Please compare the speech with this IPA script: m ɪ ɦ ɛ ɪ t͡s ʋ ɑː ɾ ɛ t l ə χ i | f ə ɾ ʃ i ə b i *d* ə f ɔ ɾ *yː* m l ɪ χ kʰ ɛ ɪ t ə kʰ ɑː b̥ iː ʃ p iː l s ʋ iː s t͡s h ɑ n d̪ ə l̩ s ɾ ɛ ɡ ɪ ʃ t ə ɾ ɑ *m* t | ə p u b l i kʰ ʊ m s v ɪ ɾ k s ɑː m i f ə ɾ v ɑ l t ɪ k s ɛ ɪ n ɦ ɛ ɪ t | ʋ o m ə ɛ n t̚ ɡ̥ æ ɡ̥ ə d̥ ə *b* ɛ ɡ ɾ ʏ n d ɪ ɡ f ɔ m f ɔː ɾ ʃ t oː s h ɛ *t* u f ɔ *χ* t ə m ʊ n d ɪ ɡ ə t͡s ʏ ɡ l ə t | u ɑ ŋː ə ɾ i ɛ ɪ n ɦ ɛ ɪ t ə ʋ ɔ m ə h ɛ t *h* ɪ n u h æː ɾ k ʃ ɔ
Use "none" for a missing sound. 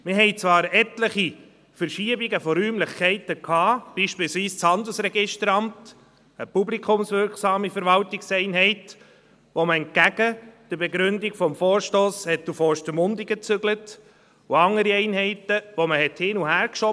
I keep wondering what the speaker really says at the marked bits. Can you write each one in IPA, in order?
ɡ, yː, m, b, t, ʃ, h

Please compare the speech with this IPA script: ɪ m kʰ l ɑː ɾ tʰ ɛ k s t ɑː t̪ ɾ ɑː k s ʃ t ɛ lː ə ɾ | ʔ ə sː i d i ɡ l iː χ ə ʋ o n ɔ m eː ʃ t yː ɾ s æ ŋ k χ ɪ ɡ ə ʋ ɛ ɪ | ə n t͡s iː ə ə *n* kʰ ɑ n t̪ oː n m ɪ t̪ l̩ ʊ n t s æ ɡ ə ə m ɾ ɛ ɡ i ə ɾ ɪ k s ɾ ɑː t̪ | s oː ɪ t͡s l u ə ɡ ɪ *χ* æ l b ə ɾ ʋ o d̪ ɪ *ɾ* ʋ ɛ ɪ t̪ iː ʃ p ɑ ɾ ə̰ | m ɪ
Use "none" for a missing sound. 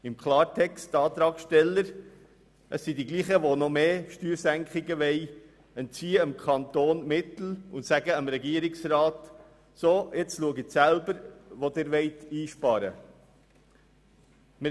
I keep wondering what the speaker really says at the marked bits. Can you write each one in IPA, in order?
m, s, ɾ

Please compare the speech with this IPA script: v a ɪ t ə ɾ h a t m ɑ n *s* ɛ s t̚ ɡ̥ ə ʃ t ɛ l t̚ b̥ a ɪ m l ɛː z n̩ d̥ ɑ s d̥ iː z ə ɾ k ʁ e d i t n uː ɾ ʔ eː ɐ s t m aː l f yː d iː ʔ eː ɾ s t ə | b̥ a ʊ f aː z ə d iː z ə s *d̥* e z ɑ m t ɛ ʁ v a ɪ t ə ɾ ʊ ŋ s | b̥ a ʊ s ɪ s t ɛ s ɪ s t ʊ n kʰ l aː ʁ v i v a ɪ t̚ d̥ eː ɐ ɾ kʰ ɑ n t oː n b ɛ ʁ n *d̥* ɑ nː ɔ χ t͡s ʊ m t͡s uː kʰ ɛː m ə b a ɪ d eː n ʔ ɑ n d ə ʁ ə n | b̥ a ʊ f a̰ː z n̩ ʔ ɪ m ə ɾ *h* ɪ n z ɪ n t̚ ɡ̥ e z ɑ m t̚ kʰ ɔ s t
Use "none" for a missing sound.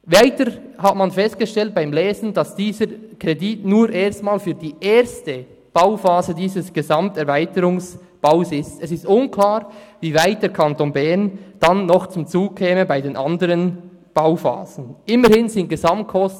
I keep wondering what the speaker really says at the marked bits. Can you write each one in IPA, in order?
f, ɡ̥, d̥, h

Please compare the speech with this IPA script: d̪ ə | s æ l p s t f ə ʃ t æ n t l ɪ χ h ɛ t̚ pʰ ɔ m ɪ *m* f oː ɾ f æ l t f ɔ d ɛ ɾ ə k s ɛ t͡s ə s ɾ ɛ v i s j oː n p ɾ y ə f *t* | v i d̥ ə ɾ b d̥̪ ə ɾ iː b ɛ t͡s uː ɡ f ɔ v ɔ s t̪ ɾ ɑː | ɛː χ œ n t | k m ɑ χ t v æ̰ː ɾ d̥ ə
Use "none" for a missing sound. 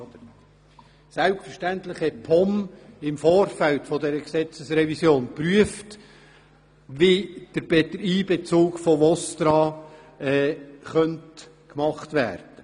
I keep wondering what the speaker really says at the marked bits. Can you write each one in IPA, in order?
m, t

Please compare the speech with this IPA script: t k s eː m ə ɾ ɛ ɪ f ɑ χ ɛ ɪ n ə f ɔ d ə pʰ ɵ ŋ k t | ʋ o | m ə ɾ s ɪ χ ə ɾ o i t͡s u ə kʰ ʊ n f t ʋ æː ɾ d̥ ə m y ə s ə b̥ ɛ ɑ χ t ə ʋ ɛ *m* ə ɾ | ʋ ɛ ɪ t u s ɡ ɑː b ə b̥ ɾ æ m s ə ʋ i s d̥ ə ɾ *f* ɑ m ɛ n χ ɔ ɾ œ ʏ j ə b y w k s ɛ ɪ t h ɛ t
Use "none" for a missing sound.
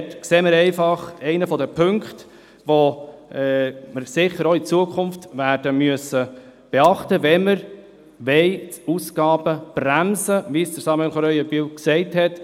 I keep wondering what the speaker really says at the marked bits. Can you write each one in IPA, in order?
m, s

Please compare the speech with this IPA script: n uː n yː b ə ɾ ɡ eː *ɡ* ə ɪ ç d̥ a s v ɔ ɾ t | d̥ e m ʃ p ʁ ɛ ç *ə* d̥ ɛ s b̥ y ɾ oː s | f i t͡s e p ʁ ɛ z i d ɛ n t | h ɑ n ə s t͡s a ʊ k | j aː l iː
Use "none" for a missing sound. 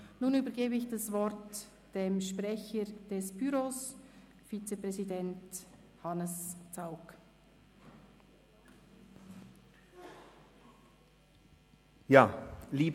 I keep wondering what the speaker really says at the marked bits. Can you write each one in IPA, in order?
b, ə

